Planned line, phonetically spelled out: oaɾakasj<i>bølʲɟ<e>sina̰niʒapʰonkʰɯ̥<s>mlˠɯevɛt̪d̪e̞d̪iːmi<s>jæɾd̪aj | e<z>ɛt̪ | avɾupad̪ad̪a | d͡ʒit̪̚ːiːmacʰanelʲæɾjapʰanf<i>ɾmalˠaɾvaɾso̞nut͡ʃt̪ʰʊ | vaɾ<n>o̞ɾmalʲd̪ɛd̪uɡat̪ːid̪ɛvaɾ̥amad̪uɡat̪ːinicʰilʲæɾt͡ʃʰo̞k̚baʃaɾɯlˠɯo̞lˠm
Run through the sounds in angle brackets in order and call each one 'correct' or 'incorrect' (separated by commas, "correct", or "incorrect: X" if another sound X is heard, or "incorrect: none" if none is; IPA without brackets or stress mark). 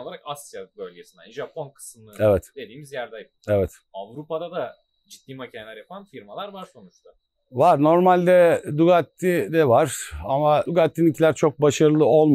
incorrect: a, correct, correct, incorrect: z, incorrect: v, correct, correct